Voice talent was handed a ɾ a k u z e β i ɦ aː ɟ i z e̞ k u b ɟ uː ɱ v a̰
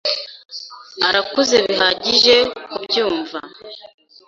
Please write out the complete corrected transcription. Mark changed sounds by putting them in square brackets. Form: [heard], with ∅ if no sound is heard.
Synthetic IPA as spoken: a ɾ a k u z e β i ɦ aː ɟ i [ʒ] e̞ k u b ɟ uː ɱ v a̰

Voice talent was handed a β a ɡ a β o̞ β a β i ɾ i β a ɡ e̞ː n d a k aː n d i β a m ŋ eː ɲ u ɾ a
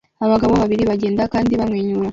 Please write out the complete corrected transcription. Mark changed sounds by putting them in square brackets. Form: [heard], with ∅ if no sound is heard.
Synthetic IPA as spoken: a β a ɡ a β o̞ β a β i ɾ i β a [ɟ] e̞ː n d a k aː n d i β a m ŋ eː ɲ u ɾ a

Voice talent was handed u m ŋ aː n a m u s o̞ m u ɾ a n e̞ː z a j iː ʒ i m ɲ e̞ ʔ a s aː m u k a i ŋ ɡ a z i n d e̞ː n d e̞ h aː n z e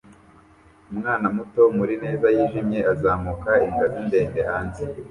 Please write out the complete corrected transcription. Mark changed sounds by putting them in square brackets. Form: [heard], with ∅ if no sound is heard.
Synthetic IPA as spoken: u m ŋ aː n a m u [t] o̞ m u ɾ [i] n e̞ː z a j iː ʒ i m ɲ e̞ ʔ a [z] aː m u k a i ŋ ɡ a z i n d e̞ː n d e̞ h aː n z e

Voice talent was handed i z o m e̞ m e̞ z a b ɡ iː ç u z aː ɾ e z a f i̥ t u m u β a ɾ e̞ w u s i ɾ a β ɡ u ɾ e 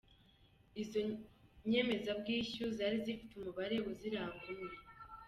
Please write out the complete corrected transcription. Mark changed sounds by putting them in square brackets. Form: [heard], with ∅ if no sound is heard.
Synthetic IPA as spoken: i z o [ɲ] e̞ m e̞ z a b ɡ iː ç u z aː ɾ [i] z [i] f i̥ t u m u β a ɾ e̞ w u [z] i ɾ a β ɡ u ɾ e

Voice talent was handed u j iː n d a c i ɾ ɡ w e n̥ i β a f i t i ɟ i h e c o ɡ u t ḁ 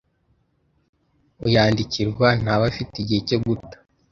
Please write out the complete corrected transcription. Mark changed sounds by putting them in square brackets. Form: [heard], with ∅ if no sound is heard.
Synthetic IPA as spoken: u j [aː] n d [i] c i ɾ ɡ w [a] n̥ [a] β a f i t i ɟ i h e c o ɡ u t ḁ

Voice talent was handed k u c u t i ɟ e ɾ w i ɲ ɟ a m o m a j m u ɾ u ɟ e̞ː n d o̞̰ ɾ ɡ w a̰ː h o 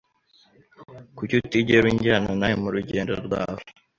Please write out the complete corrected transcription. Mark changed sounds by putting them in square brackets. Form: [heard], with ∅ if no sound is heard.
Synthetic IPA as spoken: k u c u t i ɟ e ɾ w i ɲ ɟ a [n] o [n] a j m u ɾ u ɟ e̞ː n d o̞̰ ɾ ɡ w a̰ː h o

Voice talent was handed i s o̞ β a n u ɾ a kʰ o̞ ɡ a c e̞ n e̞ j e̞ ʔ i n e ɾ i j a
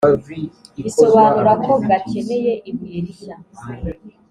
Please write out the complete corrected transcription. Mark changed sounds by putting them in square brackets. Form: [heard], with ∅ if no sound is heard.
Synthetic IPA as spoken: i s o̞ β a n u ɾ a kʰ o̞ ɡ a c e̞ n e̞ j e̞ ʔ i [m] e ɾ i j a

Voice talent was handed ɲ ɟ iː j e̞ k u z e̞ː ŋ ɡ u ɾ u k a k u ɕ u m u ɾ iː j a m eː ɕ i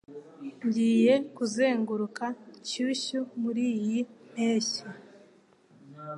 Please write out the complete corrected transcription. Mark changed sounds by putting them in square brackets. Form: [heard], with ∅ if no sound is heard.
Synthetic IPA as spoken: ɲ ɟ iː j e̞ k u z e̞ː ŋ ɡ u ɾ u k a [c] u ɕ u m u ɾ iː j [i] m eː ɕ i

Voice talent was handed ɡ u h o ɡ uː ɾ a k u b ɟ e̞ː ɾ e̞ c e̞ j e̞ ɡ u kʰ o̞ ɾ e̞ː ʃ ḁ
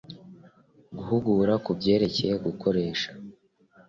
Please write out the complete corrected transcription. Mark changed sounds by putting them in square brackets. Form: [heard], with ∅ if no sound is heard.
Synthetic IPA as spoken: ɡ u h [u] ɡ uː ɾ a k u b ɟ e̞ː ɾ e̞ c e̞ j e̞ ɡ u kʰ o̞ ɾ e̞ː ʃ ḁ

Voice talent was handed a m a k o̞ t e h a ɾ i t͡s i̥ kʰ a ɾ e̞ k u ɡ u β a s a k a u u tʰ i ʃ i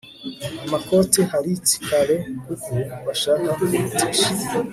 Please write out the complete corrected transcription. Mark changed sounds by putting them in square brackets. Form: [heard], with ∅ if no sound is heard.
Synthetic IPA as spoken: a m a k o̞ t e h a ɾ i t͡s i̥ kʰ a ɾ e̞ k u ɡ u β a [ʃ] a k a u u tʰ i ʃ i

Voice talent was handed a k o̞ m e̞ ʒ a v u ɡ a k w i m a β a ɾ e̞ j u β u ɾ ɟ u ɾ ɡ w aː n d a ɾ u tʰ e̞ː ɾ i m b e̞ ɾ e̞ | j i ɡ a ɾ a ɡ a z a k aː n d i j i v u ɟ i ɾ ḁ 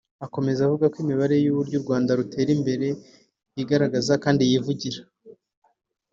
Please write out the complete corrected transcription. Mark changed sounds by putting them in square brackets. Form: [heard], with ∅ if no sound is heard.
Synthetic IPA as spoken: a k o̞ m e̞ [z] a v u ɡ a k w i m [i] β a ɾ e̞ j u β u ɾ ɟ u ɾ ɡ w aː n d a ɾ u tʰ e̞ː ɾ i m b e̞ ɾ e̞ | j i ɡ a ɾ a ɡ a z a k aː n d i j i v u ɟ i ɾ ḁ

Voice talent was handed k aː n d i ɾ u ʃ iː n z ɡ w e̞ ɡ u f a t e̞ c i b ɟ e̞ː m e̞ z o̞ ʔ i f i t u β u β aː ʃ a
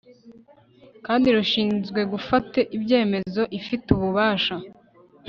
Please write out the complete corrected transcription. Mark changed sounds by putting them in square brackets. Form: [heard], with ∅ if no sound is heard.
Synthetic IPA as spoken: k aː n d i ɾ u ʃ iː n z ɡ w e̞ ɡ u f a t e̞ [ʔ] i b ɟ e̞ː m e̞ z o̞ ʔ i f i t u β u β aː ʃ a

